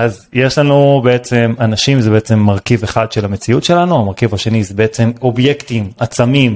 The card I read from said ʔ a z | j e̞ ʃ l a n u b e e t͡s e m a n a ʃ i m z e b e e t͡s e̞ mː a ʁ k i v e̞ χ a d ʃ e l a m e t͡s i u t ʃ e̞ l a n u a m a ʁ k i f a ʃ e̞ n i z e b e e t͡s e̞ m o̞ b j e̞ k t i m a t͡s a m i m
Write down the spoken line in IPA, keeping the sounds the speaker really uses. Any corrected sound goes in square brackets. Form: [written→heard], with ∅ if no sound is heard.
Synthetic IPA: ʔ a z | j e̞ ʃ l a n u b e e t͡s e m a n a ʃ i m z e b e e t͡s e̞ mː a ʁ k i v e̞ χ a d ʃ e l a m e t͡s i u t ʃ e̞ l a n u a m a ʁ k i [f→v] a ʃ e̞ n i z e b e e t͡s e̞ m o̞ b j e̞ k t i m a t͡s a m i m